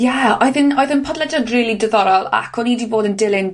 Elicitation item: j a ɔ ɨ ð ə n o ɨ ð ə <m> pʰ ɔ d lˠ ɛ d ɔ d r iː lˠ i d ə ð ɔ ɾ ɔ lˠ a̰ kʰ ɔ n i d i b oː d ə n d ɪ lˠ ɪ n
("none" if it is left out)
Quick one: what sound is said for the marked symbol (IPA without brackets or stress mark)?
n